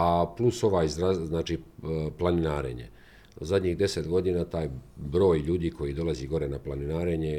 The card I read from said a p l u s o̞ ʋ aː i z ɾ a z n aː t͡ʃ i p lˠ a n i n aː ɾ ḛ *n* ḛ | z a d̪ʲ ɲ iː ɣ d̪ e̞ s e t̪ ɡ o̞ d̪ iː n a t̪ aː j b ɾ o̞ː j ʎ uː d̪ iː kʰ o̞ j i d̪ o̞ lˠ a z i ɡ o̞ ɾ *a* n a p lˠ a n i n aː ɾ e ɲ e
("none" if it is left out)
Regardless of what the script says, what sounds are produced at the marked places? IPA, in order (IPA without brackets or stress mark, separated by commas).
ɲ, e